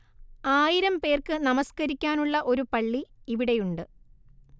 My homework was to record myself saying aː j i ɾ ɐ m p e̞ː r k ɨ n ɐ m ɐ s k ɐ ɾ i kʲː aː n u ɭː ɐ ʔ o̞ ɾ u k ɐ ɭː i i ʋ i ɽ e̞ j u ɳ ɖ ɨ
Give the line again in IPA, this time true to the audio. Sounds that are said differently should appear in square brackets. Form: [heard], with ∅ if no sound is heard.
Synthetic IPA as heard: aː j i ɾ ɐ m p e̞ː r k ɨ n ɐ m ɐ s k ɐ ɾ i kʲː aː n u ɭː ɐ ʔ o̞ ɾ u [p] ɐ ɭː i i ʋ i ɽ e̞ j u ɳ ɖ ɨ